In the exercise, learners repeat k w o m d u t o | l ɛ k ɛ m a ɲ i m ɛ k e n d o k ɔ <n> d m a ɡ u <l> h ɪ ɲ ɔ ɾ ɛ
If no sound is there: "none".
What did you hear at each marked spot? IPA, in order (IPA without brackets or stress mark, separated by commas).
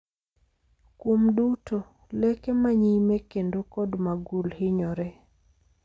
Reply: none, l